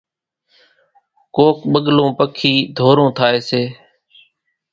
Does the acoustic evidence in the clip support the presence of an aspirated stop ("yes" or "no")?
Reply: yes